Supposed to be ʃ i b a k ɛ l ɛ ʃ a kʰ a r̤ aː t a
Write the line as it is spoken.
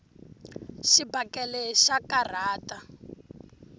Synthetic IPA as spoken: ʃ i b a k ɛ l ɛ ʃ a k a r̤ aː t a